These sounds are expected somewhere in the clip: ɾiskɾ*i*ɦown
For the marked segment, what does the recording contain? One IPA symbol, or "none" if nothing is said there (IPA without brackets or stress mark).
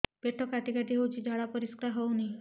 a